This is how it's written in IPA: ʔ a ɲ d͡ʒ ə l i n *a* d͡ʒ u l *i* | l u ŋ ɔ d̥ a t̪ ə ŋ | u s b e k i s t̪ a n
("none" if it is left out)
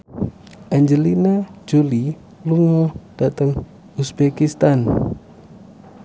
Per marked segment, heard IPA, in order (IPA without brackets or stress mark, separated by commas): a, i